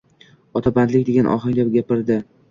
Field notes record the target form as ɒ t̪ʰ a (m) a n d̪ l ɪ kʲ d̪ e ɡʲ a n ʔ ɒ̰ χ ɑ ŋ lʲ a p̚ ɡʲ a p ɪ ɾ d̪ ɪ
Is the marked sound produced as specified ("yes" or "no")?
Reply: no